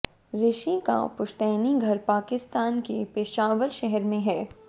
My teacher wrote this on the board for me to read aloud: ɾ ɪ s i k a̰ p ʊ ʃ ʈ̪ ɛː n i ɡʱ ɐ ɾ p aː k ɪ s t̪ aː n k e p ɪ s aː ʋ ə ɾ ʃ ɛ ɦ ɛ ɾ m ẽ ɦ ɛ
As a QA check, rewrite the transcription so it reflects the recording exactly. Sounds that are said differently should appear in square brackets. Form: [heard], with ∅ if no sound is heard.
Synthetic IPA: ɾ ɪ [ʃ] i k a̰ p ʊ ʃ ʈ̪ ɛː n i ɡʱ ɐ ɾ p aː k ɪ s t̪ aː n k e p ɪ [ʃ] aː ʋ ə ɾ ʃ ɛ ɦ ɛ ɾ m ẽ ɦ [ɛː]